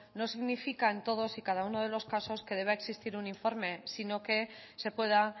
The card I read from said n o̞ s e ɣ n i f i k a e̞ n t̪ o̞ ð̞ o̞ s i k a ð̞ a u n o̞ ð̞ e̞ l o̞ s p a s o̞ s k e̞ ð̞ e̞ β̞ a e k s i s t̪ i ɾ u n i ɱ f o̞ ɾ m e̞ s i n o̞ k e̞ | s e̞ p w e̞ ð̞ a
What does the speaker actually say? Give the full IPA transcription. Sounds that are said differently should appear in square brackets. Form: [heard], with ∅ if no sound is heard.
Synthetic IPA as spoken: n o̞ s [i] ɣ n i f i k a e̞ n t̪ o̞ ð̞ o̞ s i k a ð̞ a u n o̞ ð̞ e̞ l o̞ s [k] a s o̞ s k e̞ ð̞ e̞ β̞ a e k s i s t̪ i ɾ u n i ɱ f o̞ ɾ m e̞ s i n o̞ k e̞ | s e̞ p w e̞ ð̞ a